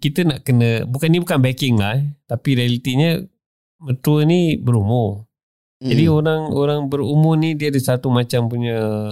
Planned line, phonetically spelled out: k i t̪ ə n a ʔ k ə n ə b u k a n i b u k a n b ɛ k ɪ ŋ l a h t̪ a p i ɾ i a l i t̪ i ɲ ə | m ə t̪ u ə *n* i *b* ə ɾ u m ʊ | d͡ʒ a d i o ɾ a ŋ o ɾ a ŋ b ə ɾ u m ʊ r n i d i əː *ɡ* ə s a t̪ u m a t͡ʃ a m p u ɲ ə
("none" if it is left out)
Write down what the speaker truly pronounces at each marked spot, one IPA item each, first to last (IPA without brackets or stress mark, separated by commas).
n, b, d